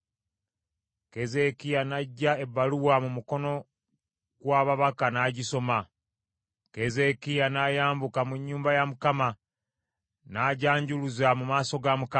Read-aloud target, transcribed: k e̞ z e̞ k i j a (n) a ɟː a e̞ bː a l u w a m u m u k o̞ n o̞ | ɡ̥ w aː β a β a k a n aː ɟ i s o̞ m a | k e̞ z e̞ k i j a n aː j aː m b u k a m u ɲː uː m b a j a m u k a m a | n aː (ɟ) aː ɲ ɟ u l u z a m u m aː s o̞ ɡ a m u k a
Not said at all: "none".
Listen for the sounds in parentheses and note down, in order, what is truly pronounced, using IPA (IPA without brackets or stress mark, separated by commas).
n, ɟ